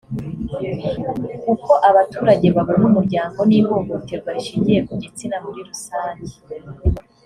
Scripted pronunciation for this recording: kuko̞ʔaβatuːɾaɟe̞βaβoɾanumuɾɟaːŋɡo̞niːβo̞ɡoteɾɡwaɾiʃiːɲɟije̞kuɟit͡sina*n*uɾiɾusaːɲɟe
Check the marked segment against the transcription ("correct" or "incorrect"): incorrect